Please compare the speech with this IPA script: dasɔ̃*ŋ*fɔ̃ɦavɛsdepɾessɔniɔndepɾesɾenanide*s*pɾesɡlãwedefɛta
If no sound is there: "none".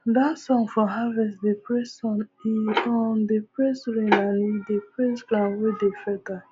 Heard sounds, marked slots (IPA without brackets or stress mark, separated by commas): ŋ, none